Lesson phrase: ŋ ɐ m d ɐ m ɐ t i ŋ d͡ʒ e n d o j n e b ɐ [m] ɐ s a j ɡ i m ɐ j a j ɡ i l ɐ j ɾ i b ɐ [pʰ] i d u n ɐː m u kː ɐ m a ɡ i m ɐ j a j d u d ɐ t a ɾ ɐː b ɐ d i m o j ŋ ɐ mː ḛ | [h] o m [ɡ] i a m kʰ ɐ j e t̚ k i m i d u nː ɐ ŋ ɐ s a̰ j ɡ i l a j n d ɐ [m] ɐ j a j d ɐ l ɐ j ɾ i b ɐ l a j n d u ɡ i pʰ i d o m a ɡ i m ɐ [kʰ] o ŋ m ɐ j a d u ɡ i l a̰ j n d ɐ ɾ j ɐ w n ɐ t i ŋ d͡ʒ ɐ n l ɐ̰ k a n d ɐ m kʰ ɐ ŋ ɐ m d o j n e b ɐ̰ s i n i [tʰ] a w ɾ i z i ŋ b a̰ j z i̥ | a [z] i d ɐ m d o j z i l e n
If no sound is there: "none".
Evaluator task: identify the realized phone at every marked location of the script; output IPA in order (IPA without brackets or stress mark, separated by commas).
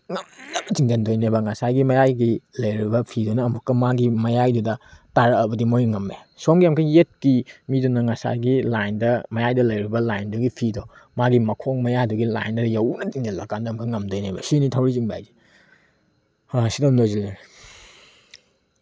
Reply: ŋ, pʰ, s, ɡ, m, kʰ, tʰ, s